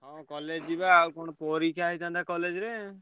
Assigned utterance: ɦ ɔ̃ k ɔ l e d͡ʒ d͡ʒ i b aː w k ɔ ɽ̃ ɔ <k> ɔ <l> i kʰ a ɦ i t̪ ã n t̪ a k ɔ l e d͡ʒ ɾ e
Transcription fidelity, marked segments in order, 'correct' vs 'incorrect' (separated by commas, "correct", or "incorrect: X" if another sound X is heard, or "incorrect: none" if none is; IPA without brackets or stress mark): incorrect: p, incorrect: ɾ